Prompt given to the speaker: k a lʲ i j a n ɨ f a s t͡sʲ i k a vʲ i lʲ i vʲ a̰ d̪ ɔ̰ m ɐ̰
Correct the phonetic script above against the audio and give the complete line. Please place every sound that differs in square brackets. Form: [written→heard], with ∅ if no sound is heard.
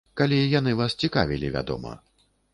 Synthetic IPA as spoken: k a lʲ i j a n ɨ [f→v] a s t͡sʲ i k a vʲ i lʲ i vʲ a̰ d̪ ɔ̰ m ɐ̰

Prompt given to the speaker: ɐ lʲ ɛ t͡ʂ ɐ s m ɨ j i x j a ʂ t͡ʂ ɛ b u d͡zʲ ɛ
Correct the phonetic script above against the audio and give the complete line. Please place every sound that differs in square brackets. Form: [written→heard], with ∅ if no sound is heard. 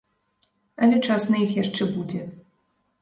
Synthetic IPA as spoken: ɐ lʲ ɛ t͡ʂ [ɐ→a] s [m→n] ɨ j i x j a ʂ t͡ʂ ɛ b u d͡zʲ ɛ

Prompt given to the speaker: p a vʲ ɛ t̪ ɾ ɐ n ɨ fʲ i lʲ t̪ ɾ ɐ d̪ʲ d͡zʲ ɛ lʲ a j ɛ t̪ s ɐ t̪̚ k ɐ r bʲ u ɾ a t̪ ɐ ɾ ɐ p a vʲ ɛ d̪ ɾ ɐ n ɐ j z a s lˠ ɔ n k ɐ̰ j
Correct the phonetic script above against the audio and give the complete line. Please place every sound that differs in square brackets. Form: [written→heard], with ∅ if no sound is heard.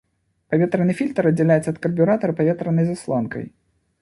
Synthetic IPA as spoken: p a vʲ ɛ t̪ ɾ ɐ n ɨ fʲ i lʲ t̪ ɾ ɐ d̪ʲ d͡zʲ ɛ lʲ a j ɛ t̪ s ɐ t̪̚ k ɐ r bʲ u ɾ a t̪ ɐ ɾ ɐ p a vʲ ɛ [d̪→t̪] ɾ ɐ n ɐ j z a s lˠ ɔ n k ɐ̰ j

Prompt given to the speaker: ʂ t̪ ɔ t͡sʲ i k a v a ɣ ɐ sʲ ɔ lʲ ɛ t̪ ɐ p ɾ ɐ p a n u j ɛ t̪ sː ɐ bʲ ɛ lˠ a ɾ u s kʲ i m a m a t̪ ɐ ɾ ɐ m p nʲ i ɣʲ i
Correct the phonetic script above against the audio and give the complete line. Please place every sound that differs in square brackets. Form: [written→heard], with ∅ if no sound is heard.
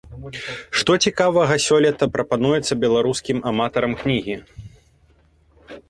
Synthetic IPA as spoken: ʂ t̪ ɔ t͡sʲ i k a v [a→ɐ] ɣ ɐ sʲ ɔ lʲ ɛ t̪ ɐ p ɾ ɐ p a n u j ɛ t̪ sː ɐ bʲ ɛ lˠ a ɾ u s kʲ i m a m a t̪ ɐ ɾ ɐ m [p→k] nʲ i ɣʲ i

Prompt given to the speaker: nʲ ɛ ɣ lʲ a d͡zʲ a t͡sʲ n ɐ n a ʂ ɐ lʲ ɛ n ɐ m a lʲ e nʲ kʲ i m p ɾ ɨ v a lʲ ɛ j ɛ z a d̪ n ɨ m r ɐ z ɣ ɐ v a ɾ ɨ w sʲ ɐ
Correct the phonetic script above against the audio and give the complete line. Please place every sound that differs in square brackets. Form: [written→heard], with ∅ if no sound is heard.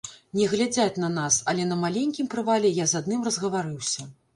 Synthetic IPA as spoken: nʲ ɛ ɣ lʲ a d͡zʲ a t͡sʲ n ɐ n a [ʂ→s] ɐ lʲ ɛ n ɐ m a lʲ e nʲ kʲ i m p ɾ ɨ v a lʲ ɛ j [ɛ→a] z a d̪ n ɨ m r ɐ z ɣ ɐ v a ɾ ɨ w sʲ ɐ

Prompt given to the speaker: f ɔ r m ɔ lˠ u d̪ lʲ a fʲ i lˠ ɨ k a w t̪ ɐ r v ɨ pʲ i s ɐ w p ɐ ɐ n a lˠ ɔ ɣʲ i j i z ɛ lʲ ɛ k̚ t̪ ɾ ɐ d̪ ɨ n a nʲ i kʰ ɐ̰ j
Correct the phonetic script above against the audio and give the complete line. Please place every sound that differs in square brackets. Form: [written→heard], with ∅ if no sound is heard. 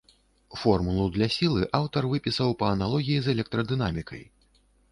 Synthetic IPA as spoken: f ɔ r m [ɔ→u] lˠ u d̪ lʲ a [fʲ→sʲ] i lˠ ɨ [k→ʔ] a w t̪ ɐ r v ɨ pʲ i s ɐ w p ɐ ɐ n a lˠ ɔ ɣʲ i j i z ɛ lʲ ɛ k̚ t̪ ɾ ɐ d̪ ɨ n a [nʲ→mʲ] i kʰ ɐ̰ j

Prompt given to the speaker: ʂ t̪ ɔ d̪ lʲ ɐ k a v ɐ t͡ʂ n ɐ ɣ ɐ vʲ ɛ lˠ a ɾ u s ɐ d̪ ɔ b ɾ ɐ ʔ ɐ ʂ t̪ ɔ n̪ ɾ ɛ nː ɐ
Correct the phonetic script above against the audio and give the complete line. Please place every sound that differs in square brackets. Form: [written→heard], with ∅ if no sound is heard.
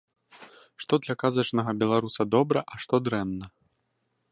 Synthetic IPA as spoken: ʂ t̪ ɔ d̪ lʲ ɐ k a [v→z] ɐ t͡ʂ n ɐ ɣ ɐ [vʲ→bʲ] ɛ lˠ a ɾ u s ɐ d̪ ɔ b ɾ ɐ ʔ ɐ ʂ t̪ ɔ [n̪→d̪] ɾ ɛ nː ɐ

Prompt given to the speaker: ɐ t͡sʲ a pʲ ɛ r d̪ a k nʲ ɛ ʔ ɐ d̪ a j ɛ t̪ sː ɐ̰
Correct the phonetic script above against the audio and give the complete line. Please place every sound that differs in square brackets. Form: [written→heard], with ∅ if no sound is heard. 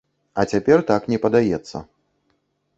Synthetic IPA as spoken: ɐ t͡sʲ a pʲ ɛ r [d̪→t̪] a k nʲ ɛ [ʔ→p] ɐ d̪ a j ɛ t̪ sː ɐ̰

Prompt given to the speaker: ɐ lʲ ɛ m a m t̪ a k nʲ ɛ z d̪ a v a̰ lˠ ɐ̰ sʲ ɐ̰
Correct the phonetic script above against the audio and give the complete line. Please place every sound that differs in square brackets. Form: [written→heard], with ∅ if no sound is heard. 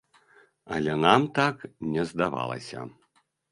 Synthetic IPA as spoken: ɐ lʲ ɛ [m→n] a m t̪ a k nʲ ɛ z d̪ a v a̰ lˠ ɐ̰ sʲ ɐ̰

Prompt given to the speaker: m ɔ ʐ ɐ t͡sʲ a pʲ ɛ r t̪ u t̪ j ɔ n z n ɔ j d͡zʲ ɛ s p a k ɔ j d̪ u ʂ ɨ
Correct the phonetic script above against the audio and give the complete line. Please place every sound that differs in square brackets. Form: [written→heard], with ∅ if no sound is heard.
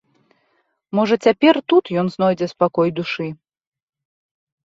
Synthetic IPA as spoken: m ɔ ʐ ɐ t͡sʲ a pʲ ɛ r t̪ u t̪ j ɔ n z n ɔ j d͡zʲ ɛ s p a k ɔ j d̪ u ʂ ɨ

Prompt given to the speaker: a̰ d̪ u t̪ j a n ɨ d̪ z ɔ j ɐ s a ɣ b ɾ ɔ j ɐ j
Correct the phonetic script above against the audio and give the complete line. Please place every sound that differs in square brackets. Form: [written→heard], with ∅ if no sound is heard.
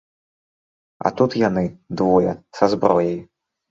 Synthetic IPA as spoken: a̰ [d̪→t̪] u t̪ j a n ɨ d̪ [z→v] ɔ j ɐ s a [ɣ→z] b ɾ ɔ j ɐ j

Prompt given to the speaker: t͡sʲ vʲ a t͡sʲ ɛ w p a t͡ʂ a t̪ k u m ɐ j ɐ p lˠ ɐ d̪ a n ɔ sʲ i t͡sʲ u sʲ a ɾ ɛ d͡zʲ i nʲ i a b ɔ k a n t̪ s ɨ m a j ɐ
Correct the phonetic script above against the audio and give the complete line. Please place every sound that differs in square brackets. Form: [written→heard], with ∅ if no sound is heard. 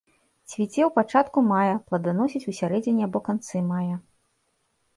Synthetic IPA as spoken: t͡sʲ vʲ [a→i] t͡sʲ ɛ w p a t͡ʂ a t̪ k u m [ɐ→a] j ɐ p lˠ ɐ d̪ a n ɔ sʲ i t͡sʲ u sʲ a ɾ ɛ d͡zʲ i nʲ i a b ɔ k a n t̪ s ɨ m a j ɐ

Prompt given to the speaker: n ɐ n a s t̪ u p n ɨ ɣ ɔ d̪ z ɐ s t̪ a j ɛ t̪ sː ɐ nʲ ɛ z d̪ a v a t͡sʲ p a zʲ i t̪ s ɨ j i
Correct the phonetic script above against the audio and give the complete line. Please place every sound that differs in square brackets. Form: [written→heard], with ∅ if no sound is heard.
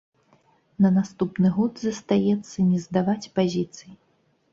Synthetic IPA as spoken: n ɐ n a s t̪ u p n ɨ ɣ ɔ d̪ z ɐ s t̪ a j ɛ t̪ sː ɐ nʲ ɛ z d̪ a v a t͡sʲ p a zʲ i t̪ s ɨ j i

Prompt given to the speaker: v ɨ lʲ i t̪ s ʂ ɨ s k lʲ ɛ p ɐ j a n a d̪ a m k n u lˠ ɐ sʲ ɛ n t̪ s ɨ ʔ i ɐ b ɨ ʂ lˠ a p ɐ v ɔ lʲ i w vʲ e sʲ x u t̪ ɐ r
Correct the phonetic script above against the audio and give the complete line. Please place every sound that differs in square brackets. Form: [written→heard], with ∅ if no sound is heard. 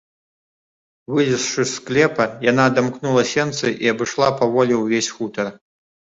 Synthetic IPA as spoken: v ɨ lʲ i [t̪→∅] s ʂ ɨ s k lʲ ɛ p ɐ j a n a d̪ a m k n u lˠ ɐ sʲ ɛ n t̪ s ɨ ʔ i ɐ b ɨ ʂ lˠ a p ɐ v ɔ lʲ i w vʲ e sʲ x u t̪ ɐ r

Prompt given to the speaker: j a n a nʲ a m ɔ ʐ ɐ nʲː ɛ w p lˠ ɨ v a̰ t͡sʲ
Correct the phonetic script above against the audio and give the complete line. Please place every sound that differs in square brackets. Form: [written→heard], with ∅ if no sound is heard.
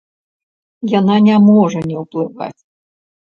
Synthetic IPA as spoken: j a n a nʲ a m ɔ ʐ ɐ [nʲː→nʲ] ɛ w p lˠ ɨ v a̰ t͡sʲ

